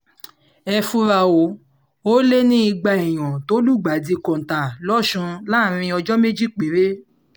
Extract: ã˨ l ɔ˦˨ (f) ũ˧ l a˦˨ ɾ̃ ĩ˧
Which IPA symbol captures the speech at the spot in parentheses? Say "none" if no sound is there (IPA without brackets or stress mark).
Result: ʃ